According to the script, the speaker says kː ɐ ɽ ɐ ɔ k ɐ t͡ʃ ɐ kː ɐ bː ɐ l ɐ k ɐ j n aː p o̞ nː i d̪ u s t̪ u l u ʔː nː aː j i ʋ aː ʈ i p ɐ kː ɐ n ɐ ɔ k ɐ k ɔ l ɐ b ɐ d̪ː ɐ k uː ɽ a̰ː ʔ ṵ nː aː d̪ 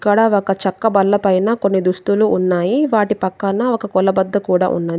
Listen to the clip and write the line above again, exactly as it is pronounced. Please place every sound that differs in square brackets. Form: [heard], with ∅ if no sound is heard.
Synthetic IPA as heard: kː ɐ ɽ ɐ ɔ k ɐ t͡ʃ ɐ kː ɐ [b] ɐ [lː] ɐ [p] ɐ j n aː [k] o̞ nː i d̪ u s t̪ u l u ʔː nː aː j i ʋ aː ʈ i p ɐ kː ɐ n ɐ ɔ k ɐ k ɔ l ɐ b ɐ d̪ː ɐ k uː ɽ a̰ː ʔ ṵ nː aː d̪